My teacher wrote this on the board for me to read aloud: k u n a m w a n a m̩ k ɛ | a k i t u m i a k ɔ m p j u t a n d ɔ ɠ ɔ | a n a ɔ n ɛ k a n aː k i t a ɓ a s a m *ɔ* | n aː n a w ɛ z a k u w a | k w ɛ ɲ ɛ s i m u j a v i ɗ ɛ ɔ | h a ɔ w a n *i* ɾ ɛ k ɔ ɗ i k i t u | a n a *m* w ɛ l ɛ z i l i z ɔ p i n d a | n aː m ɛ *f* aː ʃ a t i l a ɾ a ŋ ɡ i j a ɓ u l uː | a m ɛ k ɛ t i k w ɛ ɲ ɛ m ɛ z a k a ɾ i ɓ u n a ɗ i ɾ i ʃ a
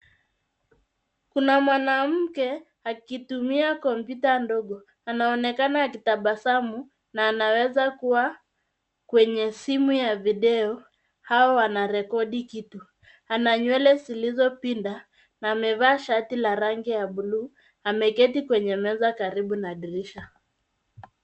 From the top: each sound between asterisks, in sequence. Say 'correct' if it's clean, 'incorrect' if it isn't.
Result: incorrect, incorrect, incorrect, incorrect

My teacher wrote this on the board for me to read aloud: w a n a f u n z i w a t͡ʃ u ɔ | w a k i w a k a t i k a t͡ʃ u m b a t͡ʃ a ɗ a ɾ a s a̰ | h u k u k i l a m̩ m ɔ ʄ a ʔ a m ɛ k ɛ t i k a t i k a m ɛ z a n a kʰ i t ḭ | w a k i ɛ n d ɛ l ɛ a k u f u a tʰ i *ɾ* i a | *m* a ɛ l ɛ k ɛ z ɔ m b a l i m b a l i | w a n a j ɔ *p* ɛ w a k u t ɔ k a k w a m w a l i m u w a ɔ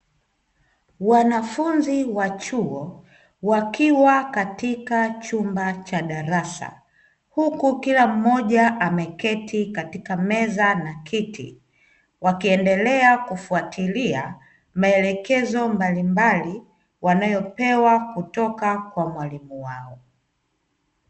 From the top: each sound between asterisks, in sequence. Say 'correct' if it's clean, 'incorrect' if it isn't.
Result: incorrect, correct, correct

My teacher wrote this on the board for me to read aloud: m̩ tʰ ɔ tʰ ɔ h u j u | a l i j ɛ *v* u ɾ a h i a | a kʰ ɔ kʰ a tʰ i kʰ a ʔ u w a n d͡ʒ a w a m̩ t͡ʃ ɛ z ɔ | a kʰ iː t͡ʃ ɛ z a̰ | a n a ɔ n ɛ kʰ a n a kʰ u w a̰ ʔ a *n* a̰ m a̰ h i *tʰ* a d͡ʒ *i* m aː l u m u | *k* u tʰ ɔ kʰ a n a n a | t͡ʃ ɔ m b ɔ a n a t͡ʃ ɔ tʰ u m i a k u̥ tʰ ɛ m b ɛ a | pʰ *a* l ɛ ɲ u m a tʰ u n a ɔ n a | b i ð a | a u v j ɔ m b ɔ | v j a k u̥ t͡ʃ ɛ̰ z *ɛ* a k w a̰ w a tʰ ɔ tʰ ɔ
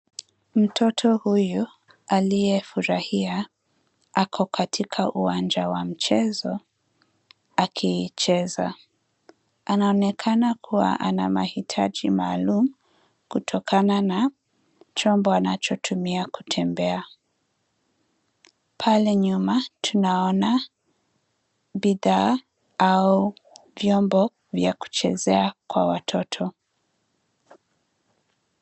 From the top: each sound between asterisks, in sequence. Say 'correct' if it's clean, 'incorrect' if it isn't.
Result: incorrect, correct, correct, correct, correct, correct, correct

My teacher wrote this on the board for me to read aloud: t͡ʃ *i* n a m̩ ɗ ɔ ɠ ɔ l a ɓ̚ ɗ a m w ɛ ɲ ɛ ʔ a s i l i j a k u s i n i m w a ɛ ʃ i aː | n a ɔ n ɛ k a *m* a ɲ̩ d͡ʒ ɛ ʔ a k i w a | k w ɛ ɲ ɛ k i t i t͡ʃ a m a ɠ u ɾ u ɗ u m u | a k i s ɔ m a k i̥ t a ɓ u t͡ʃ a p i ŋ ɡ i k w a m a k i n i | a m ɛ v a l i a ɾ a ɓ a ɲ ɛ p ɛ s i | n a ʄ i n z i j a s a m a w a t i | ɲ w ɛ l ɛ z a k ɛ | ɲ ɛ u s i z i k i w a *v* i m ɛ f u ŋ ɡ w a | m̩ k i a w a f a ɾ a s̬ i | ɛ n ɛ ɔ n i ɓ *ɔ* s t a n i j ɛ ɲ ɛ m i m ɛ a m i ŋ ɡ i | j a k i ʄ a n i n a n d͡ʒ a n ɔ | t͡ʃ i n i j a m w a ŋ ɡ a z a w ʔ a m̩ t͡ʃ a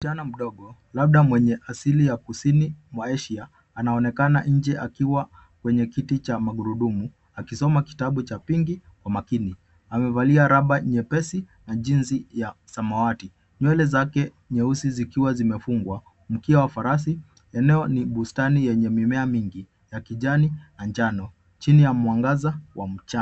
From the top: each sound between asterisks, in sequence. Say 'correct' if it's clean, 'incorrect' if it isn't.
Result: incorrect, incorrect, incorrect, incorrect

